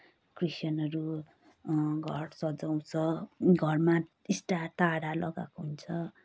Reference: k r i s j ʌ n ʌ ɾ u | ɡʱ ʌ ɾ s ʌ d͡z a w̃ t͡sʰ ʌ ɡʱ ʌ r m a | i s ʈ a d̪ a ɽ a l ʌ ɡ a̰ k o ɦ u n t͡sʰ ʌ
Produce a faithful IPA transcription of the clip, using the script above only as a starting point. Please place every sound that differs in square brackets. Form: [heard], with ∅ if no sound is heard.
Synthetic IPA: k r i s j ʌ n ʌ ɾ u | ɡʱ ʌ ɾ s ʌ d͡z a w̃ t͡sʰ ʌ ɡʱ ʌ r m a | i s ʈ a [t̪] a ɽ a l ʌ ɡ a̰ k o ɦ u n t͡sʰ ʌ